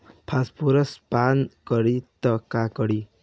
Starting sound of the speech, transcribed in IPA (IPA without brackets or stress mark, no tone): pʰ